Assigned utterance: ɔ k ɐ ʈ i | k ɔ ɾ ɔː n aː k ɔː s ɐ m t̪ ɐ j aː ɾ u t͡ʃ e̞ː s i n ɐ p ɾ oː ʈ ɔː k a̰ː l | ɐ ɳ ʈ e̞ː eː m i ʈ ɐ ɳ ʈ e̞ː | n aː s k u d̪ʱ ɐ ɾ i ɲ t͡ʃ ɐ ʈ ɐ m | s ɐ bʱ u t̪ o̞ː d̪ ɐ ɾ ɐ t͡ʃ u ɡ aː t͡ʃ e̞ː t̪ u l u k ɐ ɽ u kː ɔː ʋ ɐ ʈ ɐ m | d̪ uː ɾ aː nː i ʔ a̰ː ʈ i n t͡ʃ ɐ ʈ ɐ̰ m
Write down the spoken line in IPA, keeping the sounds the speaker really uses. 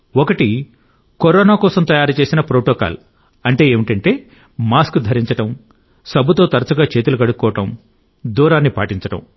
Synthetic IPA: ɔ k ɐ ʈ i | k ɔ ɾ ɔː n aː k ɔː s ɐ m t̪ ɐ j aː ɾ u t͡ʃ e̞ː s i n ɐ p ɾ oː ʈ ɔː k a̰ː l | ɐ ɳ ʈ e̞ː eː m i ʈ ɐ ɳ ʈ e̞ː | m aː s k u d̪ʱ ɐ ɾ i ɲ t͡ʃ ɐ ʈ ɐ m | s ɐ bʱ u t̪ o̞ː t̪ ɐ ɾ ɐ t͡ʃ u ɡ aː t͡ʃ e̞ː t̪ u l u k ɐ ɽ u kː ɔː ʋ ɐ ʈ ɐ m | d̪ uː ɾ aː nː i p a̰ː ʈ i ɲ t͡ʃ ɐ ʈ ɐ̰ m